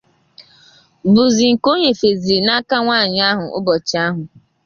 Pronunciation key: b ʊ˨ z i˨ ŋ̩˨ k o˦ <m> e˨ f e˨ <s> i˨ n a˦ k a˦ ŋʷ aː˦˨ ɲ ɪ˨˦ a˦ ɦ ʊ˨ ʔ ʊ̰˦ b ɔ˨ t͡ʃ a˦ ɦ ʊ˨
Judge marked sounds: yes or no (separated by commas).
no, no